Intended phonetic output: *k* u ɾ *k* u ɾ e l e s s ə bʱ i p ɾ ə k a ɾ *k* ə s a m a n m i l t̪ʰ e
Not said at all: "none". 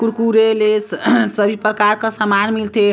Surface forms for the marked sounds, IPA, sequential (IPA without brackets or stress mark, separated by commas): k, k, k